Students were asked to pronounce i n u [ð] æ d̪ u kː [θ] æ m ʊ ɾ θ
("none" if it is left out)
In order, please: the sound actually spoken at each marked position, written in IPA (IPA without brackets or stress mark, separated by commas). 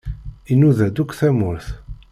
ð, θ